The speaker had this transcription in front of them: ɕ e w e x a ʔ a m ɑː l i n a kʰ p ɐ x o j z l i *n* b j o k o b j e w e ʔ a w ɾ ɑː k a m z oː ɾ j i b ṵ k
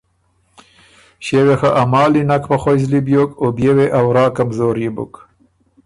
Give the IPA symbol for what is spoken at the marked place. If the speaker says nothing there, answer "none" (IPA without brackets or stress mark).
none